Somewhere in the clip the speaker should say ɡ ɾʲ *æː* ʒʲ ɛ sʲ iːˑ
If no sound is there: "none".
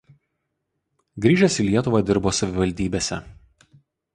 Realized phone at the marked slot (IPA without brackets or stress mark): iː